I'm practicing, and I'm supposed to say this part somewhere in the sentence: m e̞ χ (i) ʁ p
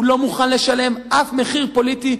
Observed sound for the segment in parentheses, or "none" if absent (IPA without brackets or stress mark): i